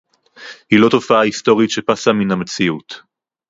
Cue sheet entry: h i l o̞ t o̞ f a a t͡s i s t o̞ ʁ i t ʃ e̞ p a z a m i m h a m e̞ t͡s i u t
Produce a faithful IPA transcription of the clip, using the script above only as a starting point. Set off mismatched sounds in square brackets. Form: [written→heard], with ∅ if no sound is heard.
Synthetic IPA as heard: h i l o̞ t o̞ f a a [t͡s→∅] i s t o̞ ʁ i t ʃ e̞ p a [z→s] a m i [m→n] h a m e̞ t͡s i u t